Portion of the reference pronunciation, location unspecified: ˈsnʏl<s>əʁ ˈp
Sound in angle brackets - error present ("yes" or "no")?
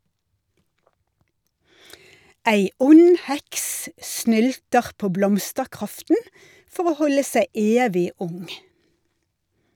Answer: yes